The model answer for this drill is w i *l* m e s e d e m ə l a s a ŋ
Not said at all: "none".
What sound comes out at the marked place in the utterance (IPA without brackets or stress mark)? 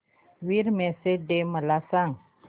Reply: ɾ